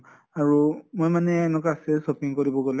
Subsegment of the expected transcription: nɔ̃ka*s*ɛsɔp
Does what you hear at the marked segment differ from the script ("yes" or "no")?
no